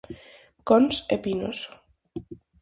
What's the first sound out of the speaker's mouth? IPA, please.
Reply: k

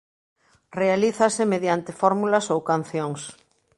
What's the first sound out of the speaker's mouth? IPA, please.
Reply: r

